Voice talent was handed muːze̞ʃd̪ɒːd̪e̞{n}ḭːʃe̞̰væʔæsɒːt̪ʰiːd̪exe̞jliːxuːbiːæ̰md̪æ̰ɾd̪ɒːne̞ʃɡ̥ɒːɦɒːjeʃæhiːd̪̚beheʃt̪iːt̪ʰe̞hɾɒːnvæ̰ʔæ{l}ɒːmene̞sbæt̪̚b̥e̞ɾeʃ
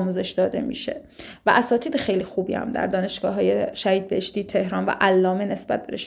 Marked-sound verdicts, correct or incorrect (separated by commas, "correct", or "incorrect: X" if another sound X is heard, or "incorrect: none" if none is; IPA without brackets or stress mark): incorrect: m, incorrect: lː